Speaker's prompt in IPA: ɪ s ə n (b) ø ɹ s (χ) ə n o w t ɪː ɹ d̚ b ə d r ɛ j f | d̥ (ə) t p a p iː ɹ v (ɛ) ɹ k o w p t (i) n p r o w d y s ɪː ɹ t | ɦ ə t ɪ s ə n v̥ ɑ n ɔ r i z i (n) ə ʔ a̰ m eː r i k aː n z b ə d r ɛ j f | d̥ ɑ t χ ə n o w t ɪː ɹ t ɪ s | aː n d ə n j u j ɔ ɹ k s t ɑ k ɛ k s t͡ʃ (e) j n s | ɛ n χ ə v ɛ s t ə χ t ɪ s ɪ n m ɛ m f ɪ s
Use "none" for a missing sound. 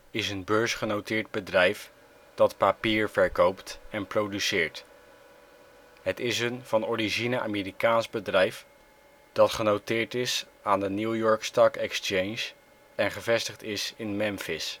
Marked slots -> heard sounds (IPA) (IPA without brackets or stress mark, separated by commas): b, χ, ɑ, ɛ, ɛ, n, e